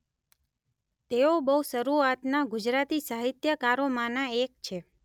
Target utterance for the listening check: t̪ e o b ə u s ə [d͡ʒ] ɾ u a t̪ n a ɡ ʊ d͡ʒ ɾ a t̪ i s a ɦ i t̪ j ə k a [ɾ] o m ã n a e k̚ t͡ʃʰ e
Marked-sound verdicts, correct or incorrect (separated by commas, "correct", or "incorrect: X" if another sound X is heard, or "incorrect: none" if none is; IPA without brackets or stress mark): incorrect: none, correct